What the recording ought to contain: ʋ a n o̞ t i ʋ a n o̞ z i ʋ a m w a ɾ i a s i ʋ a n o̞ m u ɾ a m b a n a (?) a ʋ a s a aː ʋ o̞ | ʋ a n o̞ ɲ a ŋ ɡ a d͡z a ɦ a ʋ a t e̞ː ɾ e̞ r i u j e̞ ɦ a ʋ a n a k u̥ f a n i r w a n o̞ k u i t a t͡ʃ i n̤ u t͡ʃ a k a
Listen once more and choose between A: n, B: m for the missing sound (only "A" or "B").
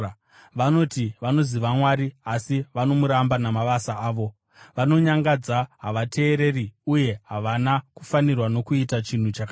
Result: B